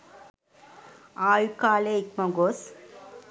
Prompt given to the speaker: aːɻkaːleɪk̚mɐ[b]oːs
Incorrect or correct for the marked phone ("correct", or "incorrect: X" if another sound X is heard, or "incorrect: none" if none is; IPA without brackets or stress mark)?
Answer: incorrect: ɡ